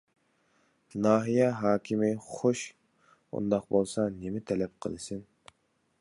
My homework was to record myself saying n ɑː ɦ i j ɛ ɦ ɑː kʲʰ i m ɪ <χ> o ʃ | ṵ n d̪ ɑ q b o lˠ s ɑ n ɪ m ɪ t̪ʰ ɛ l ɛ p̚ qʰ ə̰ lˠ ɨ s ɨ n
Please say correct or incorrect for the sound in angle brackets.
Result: correct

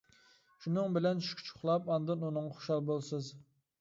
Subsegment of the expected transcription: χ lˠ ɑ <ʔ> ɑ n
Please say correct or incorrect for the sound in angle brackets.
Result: incorrect: p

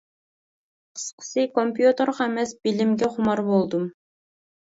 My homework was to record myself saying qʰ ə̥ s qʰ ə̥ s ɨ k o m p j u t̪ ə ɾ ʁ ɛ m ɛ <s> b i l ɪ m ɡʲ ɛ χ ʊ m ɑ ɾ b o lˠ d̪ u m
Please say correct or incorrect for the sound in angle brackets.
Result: correct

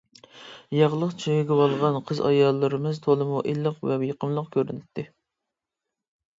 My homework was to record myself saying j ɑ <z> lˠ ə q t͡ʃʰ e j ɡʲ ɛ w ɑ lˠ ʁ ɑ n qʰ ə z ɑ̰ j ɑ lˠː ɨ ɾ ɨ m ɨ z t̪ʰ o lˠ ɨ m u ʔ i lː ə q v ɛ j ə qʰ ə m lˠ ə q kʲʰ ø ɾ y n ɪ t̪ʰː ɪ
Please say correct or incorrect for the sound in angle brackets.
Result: incorrect: ʁ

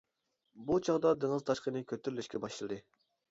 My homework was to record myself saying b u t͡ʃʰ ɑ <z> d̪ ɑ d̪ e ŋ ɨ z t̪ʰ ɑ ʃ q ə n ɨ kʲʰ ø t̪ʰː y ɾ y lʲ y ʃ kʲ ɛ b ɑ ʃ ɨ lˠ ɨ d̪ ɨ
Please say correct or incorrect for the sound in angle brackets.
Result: incorrect: ʁ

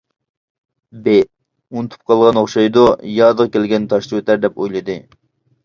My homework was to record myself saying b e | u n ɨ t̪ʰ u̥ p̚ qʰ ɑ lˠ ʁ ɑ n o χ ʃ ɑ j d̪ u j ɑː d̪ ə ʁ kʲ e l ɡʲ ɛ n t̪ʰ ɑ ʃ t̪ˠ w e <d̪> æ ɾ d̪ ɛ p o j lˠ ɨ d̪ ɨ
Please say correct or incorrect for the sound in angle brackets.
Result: incorrect: t̪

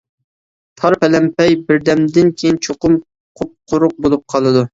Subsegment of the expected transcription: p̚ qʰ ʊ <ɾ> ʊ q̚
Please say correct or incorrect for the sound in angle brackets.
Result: correct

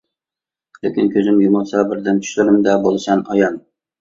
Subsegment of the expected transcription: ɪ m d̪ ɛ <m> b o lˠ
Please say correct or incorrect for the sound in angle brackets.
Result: incorrect: none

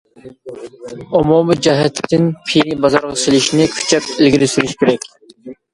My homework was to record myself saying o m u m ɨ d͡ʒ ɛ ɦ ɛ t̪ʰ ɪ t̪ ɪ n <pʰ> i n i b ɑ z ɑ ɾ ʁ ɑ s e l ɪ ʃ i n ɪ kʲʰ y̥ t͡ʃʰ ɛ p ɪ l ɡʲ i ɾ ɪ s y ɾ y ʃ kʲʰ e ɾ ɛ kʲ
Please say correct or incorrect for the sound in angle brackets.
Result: correct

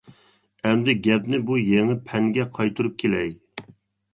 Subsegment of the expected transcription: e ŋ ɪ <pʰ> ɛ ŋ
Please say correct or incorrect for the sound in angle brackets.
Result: correct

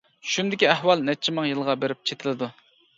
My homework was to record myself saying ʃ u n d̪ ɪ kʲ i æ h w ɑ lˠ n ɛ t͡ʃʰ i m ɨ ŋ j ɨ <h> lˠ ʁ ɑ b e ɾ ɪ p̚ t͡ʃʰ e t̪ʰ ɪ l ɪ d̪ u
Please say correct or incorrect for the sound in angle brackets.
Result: incorrect: none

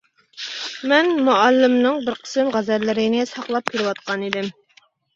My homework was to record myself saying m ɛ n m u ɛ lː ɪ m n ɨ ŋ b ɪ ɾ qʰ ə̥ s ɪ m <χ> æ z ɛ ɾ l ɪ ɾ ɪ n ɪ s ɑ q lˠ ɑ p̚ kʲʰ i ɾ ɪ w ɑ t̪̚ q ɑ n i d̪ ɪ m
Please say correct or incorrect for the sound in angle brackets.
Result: incorrect: ʁ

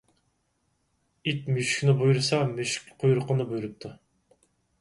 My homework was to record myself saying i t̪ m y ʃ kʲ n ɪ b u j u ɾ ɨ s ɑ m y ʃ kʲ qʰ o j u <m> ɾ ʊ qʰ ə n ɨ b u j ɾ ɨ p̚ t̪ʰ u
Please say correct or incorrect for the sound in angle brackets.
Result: incorrect: none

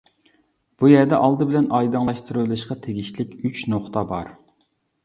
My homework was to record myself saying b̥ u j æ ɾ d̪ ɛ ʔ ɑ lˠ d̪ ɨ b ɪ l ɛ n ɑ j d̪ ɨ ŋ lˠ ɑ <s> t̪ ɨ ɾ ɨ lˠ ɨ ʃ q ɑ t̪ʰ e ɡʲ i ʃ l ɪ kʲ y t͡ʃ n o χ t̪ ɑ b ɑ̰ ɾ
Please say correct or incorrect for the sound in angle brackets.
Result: incorrect: ʃ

